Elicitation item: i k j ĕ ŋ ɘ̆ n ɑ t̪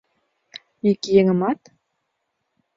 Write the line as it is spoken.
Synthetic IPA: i k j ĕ ŋ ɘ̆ m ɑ t̪